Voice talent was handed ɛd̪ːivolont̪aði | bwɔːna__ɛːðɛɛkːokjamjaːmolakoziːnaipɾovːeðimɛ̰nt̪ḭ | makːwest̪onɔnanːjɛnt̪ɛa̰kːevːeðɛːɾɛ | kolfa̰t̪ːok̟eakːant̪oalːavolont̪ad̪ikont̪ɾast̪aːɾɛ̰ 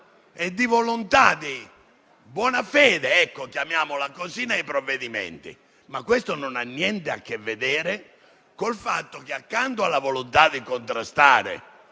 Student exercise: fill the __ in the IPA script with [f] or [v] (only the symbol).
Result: f